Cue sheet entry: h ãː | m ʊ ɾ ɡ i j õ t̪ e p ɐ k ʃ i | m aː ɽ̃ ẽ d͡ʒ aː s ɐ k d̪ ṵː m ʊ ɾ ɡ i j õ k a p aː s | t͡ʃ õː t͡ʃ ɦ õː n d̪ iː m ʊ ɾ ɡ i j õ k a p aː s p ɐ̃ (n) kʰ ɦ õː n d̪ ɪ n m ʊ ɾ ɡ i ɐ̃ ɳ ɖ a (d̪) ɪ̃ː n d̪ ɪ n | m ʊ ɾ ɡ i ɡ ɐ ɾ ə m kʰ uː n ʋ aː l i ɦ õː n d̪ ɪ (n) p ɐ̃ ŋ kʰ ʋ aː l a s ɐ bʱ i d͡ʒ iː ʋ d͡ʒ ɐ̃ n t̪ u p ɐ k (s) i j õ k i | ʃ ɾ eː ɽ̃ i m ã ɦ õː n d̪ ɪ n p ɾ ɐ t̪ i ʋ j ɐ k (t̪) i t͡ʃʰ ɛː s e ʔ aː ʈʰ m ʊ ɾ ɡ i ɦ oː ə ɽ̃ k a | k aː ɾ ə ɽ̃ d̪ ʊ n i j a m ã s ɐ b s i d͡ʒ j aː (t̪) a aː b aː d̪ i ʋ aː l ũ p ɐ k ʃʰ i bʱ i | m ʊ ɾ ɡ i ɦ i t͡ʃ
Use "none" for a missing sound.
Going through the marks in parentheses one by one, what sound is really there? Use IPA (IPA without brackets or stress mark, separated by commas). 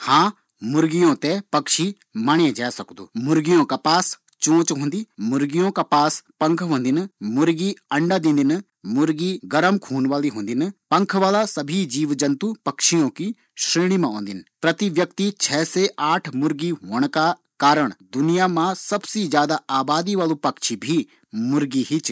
ŋ, d̪, n, ʃ, t̪, d̪